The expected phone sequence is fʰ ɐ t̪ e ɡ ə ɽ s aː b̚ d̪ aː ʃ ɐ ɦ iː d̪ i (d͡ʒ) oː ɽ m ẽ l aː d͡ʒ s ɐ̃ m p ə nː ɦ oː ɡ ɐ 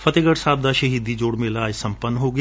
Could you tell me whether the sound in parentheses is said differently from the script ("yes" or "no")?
no